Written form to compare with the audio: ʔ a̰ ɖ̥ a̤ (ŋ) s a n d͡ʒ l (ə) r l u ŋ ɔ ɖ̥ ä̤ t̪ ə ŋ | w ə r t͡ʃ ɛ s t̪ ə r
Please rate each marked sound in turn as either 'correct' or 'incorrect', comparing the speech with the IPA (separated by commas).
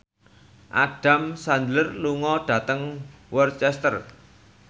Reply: incorrect, correct